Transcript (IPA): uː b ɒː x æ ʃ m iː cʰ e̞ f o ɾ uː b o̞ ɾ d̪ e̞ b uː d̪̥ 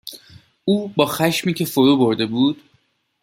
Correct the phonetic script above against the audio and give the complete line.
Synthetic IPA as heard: uː b ɒː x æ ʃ m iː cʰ e̞ f o ɾ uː b o̞ ɾ d̪ e̞ b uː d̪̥